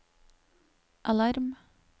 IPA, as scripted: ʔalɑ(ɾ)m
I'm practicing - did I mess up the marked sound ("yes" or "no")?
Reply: no